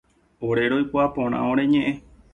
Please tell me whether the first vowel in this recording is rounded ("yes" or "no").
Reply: yes